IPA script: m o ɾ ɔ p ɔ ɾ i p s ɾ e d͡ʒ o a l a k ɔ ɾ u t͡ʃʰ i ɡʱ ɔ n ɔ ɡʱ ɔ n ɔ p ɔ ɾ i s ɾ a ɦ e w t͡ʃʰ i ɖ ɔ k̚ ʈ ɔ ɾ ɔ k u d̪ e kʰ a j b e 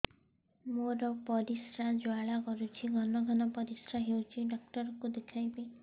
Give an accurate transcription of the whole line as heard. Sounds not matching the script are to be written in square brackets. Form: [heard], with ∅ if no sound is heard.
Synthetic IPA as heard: m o ɾ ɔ p ɔ ɾ i [∅] s ɾ [a] d͡ʒ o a [ɭ] a k ɔ ɾ u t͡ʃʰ i ɡʱ ɔ n ɔ ɡʱ ɔ n ɔ p ɔ ɾ i s ɾ a ɦ e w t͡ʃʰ i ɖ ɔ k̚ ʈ ɔ ɾ ɔ k u d̪ e kʰ a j b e

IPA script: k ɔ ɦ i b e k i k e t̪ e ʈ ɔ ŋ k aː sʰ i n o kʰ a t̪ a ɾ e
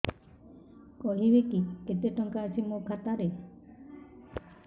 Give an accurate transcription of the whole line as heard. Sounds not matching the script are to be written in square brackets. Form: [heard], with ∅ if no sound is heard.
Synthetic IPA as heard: k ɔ ɦ i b e k i k e t̪ e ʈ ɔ ŋ k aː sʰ i [m] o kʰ a t̪ a ɾ e

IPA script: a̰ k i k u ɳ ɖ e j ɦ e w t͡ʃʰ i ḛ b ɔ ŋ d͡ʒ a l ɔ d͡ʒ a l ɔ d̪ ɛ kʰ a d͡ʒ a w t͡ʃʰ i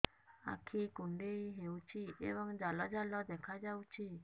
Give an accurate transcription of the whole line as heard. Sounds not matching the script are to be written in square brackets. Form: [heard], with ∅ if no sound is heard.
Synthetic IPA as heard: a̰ [kʰ] i k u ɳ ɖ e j ɦ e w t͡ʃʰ i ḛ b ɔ ŋ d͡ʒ a l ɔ d͡ʒ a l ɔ d̪ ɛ kʰ a d͡ʒ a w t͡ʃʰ i

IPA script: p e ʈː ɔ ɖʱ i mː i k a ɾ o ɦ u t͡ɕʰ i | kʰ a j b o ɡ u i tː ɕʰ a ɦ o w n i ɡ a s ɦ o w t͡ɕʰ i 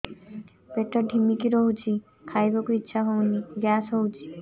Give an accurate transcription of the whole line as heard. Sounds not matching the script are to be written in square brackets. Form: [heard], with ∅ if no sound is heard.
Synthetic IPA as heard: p e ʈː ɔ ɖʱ i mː i k [i] ɾ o ɦ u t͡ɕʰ i | kʰ a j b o [k] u i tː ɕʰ a ɦ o w n i ɡ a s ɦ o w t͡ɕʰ i

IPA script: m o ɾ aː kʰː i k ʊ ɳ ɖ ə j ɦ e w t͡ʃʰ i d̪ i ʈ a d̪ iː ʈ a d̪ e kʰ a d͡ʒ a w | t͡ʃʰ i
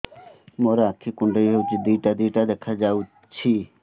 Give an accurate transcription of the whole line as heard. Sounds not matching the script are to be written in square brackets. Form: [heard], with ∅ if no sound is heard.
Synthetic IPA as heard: m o ɾ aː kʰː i k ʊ ɳ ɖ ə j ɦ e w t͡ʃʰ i d̪ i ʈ a d̪ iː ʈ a d̪ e kʰ a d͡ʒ a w | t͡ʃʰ i

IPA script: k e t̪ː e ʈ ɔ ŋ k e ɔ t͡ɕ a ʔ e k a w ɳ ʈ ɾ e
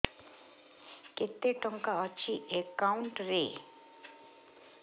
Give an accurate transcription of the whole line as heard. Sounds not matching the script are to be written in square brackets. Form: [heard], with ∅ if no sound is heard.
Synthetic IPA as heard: k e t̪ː e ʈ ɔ ŋ k [a] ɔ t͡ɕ [i] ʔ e k a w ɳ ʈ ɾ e

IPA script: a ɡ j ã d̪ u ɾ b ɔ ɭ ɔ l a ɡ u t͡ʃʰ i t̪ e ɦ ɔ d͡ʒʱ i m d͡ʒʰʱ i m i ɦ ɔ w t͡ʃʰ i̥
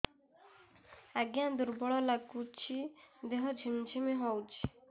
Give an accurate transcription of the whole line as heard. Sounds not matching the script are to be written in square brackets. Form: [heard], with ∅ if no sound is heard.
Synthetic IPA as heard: a ɡ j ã d̪ u ɾ b ɔ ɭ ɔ l a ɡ u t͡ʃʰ i [d̪] e ɦ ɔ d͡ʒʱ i m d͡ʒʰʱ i m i ɦ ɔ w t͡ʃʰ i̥

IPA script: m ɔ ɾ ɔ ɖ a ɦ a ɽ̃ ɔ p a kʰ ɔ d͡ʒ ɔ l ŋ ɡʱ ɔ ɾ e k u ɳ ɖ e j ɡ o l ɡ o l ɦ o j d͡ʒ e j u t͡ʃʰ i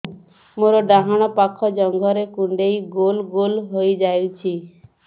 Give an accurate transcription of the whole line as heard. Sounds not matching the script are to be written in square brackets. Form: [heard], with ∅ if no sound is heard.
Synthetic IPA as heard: m [o] ɾ ɔ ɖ a ɦ a ɽ̃ ɔ p a kʰ ɔ d͡ʒ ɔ [∅] ŋ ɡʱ ɔ ɾ e k u ɳ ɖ e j ɡ o l ɡ o l ɦ o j d͡ʒ [a] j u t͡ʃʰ i

